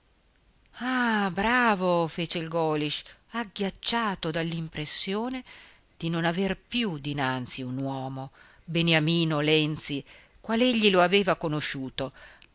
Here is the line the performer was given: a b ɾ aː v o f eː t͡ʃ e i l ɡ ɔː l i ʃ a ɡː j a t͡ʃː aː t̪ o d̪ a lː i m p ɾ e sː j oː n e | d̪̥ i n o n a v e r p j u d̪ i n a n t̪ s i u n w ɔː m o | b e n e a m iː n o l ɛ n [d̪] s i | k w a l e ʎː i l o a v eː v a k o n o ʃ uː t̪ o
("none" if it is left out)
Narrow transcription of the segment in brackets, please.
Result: t̪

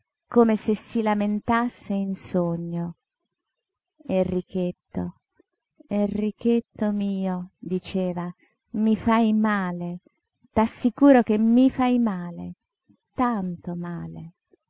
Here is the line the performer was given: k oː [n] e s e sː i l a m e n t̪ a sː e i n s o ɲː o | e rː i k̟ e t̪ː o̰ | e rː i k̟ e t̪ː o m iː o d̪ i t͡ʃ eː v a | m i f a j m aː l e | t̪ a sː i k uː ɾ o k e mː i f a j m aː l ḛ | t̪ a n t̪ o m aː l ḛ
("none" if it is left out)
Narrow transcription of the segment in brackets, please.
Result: m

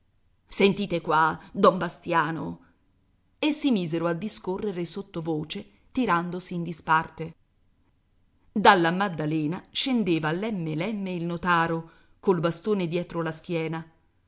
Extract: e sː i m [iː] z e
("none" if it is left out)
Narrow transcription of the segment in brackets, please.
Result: iː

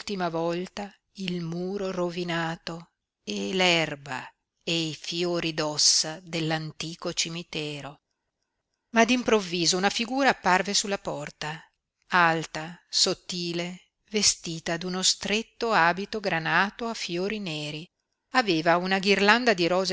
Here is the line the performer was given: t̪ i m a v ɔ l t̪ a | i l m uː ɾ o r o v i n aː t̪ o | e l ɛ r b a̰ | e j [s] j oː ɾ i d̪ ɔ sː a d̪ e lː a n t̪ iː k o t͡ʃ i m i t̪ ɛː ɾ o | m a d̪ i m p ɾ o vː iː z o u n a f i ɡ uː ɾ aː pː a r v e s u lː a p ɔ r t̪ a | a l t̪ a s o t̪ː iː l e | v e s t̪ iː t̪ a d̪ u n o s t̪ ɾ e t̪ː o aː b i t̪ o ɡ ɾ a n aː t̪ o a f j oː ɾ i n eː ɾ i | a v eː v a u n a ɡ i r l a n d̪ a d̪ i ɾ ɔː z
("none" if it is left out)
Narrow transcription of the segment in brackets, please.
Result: f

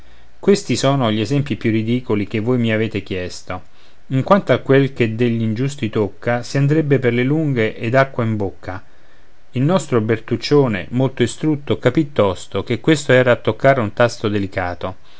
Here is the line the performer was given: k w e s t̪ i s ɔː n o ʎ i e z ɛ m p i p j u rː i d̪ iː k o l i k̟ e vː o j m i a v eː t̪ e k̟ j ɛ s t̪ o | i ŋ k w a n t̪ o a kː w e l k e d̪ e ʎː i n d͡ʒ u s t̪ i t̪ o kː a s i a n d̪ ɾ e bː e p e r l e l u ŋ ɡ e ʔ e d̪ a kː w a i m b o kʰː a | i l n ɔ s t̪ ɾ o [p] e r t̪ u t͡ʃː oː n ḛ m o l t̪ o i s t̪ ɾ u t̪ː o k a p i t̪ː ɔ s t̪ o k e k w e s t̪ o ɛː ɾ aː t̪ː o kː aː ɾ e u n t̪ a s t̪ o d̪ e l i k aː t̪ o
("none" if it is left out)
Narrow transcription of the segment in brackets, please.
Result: b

